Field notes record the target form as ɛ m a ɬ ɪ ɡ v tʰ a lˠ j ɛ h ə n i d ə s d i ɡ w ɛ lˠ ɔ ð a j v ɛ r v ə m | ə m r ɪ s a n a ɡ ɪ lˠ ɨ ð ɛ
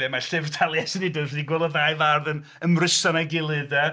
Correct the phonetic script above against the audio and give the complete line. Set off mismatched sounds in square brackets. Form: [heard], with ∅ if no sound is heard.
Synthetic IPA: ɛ m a ɬ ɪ [∅] v tʰ a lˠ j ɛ [s] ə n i d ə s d i ɡ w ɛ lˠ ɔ ð a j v [a] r [ð] ə [n] | ə m r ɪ s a n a ɡ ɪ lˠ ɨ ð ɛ